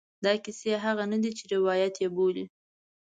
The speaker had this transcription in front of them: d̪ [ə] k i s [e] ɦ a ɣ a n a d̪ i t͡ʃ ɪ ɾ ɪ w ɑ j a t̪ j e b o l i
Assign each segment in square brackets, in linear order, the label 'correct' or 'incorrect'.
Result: incorrect, correct

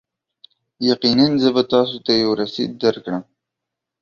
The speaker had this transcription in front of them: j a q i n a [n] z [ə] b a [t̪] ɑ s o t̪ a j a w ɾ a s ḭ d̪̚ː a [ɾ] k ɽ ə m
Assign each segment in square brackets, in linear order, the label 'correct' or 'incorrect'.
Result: correct, correct, correct, correct

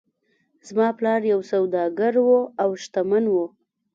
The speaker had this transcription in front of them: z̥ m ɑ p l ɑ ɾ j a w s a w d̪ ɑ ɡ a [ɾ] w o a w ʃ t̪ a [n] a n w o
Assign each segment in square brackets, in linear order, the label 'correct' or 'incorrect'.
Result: correct, incorrect

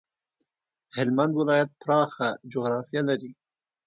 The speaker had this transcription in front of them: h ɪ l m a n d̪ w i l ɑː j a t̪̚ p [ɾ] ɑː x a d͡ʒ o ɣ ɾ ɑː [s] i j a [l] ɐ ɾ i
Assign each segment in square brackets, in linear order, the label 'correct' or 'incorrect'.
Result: correct, incorrect, correct

